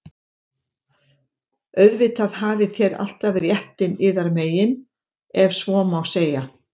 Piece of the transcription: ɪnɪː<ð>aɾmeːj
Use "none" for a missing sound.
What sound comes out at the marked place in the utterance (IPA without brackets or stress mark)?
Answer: ð